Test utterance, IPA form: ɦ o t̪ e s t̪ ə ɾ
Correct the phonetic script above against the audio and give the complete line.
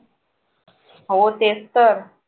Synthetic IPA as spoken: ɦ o t̪ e s t̪ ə ɾ